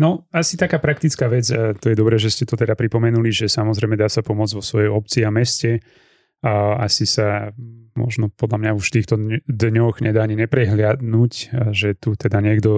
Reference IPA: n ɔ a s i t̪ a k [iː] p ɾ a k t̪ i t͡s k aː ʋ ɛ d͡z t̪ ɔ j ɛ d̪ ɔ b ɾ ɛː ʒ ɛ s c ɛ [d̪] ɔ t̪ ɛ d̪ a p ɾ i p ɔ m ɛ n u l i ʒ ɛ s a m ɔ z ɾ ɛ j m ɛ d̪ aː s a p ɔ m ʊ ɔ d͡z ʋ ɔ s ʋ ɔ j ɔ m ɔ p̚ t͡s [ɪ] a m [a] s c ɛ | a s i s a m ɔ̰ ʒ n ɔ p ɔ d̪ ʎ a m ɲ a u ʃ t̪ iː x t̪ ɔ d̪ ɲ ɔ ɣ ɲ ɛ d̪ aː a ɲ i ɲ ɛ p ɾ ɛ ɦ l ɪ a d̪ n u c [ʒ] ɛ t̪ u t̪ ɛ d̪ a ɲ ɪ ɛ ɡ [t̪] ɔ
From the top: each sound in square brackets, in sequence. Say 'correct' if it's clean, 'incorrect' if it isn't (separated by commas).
incorrect, incorrect, incorrect, incorrect, correct, incorrect